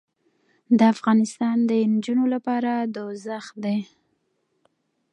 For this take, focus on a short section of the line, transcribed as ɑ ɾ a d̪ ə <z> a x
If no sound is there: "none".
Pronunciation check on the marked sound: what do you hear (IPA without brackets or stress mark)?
z